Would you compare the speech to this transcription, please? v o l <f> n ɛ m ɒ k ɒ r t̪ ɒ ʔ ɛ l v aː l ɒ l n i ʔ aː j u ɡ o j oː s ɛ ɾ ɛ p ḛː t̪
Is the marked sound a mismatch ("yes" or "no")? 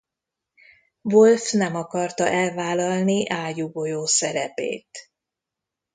no